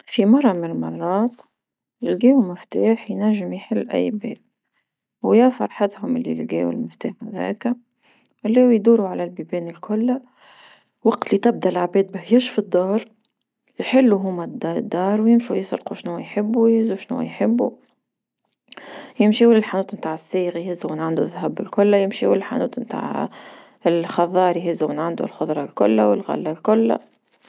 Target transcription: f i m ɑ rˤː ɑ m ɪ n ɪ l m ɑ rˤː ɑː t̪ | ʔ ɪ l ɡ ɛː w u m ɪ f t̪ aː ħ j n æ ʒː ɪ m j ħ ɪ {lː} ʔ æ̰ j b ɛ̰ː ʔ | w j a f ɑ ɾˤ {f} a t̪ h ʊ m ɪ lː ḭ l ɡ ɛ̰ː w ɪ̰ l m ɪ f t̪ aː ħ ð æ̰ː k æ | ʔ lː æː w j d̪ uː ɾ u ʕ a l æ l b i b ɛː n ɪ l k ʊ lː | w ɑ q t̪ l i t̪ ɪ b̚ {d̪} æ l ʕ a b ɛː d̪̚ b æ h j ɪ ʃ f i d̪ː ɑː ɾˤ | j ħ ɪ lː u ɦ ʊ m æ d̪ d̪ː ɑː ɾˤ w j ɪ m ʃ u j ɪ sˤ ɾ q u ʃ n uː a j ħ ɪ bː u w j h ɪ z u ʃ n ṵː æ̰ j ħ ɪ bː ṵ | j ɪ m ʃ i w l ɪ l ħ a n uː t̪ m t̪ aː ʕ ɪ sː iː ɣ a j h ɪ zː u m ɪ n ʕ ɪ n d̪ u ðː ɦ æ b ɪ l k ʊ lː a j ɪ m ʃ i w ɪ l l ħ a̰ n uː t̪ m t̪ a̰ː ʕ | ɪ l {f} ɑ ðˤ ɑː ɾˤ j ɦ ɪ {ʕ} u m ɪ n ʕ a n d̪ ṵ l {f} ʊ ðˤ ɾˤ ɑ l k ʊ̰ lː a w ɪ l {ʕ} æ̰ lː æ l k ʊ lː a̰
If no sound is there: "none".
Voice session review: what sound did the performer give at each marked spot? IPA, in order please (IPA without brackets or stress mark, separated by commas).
lː, ħ, d̪, x, z, x, ɣ